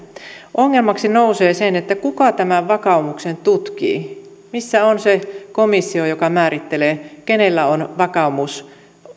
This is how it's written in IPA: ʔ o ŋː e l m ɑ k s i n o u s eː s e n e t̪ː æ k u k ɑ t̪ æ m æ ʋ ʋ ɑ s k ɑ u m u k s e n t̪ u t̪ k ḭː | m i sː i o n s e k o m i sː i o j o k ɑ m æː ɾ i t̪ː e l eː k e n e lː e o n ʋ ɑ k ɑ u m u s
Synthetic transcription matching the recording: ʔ o ŋː e l m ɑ k s i n o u s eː s e n e t̪ː æ k u k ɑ t̪ æ m æ ʋ ʋ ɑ k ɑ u m u k s e n t̪ u t̪ k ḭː | m i sː æ o n s e k o m i sː i o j o k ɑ m æː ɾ i t̪ː e l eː k e n e lː æ o n ʋ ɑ k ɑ u m u s

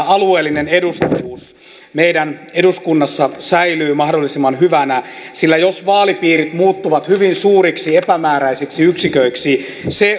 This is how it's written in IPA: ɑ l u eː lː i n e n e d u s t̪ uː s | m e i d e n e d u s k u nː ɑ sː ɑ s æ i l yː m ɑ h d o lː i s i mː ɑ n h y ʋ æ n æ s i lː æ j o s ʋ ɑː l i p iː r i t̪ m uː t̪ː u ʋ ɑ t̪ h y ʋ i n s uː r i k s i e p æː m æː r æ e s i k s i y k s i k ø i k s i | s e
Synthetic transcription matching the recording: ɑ l u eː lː i n e n e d u s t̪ uː s | m e i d æ n e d u s k u nː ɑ sː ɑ s æ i l yː m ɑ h d o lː i s i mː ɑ n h y ʋ æ n æ s i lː æ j o s ʋ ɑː l i p iː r i t̪ m uː t̪ː u ʋ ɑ t̪ h y ʋ i n s uː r i k s i e p æ m æː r æ i s i k s i y k s i k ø i k s i | s e

